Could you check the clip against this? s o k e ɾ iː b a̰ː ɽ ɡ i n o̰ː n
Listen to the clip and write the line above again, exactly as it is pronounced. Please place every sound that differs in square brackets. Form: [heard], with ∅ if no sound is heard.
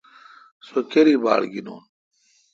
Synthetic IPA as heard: s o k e ɾ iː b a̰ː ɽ ɡ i n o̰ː n